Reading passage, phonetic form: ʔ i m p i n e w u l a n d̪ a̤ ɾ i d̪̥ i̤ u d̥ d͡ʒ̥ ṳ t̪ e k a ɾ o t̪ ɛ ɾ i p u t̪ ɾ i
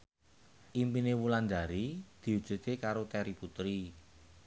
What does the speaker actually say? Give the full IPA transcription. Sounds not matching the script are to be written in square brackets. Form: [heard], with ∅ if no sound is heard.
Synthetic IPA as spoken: ʔ i m p i n e w u l a n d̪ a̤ ɾ i d̪̥ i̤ u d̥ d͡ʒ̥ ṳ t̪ e k a ɾ o t̪ ɛ ɾ i p u t̪ ɾ i

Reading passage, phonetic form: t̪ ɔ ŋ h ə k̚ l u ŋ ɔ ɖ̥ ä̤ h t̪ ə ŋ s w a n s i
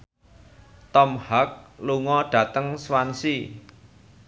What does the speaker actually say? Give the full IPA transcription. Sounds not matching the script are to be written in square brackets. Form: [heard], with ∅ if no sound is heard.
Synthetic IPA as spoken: t̪ ɔ [m] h [a] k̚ l u ŋ ɔ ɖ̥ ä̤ [∅] t̪ ə ŋ s w a n s i

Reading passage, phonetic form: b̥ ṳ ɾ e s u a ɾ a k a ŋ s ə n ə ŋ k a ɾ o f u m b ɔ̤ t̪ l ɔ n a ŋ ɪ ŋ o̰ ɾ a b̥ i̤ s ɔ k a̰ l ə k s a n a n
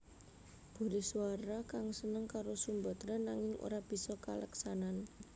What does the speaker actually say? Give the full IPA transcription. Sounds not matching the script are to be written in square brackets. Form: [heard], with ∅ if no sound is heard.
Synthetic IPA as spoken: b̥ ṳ ɾ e s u a ɾ a k a ŋ s ə n ə ŋ k a ɾ o [s] u m b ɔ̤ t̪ [ɾ] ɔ n a ŋ ɪ ŋ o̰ ɾ a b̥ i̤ s ɔ k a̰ l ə k s a n a n

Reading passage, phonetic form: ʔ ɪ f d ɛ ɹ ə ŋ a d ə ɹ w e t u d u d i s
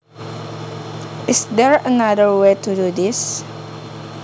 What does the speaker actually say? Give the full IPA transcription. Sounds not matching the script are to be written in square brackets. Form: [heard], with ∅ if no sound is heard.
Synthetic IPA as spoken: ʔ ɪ [s] d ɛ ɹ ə [n] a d ə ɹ w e t u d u d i s

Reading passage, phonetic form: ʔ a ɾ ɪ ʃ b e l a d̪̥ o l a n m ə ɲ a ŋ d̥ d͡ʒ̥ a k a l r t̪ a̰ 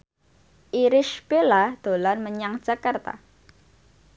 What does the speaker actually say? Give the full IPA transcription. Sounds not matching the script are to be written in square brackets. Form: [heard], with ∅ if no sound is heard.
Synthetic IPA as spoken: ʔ [i] ɾ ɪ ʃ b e l a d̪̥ o l a n m ə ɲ a ŋ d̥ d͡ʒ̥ a k a [∅] r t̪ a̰

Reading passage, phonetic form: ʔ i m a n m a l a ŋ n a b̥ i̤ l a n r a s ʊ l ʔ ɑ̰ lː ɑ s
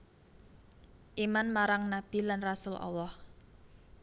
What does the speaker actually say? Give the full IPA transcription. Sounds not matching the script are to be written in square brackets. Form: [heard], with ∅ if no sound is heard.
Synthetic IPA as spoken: ʔ i m a n m a [ɾ] a ŋ n a b̥ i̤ l a n r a s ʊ l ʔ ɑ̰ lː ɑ [h]

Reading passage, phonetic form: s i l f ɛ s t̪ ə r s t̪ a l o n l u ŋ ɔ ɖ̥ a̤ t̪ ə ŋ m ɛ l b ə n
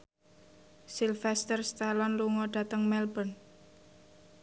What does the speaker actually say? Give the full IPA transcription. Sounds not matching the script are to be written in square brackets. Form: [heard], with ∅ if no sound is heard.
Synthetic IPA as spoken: s i l f ɛ s t̪ ə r s t̪ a l [ɔ] n l u ŋ ɔ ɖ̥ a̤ t̪ ə ŋ m ɛ l b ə n

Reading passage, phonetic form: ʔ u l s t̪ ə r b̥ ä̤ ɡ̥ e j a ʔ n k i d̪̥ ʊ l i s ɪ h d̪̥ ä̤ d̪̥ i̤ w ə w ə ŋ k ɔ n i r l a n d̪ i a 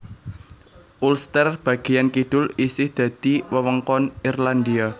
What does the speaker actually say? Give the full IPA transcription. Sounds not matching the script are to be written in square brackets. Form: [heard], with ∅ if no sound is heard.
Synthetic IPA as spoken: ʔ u l s t̪ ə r b̥ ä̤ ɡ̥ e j a [∅] n k i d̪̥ ʊ l i s ɪ h d̪̥ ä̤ d̪̥ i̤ w ə w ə ŋ k ɔ n i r l a n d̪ i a

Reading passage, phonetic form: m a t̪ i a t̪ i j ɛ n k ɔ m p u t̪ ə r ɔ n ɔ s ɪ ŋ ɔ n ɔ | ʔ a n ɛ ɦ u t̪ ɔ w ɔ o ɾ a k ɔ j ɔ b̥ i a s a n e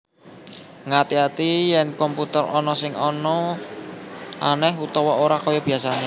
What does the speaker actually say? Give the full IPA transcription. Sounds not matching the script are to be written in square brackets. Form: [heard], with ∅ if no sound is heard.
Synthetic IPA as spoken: [ŋ] a t̪ i a t̪ i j ɛ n k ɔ m p u t̪ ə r ɔ n ɔ s ɪ ŋ ɔ n ɔ | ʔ a n ɛ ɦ u t̪ ɔ w ɔ o ɾ a k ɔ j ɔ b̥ i a s a n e

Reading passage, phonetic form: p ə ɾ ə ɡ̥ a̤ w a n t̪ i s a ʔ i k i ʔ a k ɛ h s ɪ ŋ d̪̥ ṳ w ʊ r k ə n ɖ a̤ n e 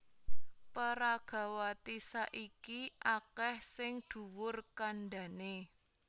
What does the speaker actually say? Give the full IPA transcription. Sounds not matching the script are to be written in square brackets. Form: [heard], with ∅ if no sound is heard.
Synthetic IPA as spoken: p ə ɾ [a] ɡ̥ a̤ w a [∅] t̪ i s a ʔ i k i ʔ a k ɛ h s ɪ ŋ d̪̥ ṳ w ʊ r k [a] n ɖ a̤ n e

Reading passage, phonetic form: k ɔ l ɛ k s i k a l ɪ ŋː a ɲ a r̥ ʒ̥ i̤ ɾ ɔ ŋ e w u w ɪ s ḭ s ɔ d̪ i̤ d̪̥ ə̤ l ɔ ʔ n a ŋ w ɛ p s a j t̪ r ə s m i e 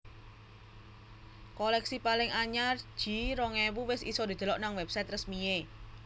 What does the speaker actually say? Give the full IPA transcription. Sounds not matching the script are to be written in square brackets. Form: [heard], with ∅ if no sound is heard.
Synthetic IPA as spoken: k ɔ l ɛ k s i [p] a l ɪ [ŋ] a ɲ a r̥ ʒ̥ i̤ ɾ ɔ ŋ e w u w ɪ s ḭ s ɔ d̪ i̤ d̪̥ ə̤ l ɔ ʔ n a ŋ w ɛ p s a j t̪ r ə s m i e

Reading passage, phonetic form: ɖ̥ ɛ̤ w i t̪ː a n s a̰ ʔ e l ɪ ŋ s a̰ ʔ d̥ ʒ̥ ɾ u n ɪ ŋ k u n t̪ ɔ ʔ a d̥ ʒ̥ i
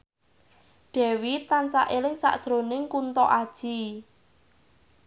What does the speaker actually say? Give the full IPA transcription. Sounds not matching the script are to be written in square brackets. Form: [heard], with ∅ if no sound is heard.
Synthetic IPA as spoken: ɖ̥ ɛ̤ w i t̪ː a n s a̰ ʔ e l ɪ ŋ s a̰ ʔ d̥ ʒ̥ ɾ [o] n ɪ ŋ k u n t̪ ɔ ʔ a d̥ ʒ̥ i

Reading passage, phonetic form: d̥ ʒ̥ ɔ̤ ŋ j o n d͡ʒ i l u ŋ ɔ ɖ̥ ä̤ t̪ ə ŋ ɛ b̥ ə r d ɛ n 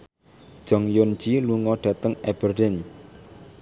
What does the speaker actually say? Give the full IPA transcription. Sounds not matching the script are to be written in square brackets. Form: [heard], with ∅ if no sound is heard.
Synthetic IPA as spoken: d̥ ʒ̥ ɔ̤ ŋ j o n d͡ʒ i l u ŋ ɔ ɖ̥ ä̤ t̪ ə ŋ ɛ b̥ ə r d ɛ n

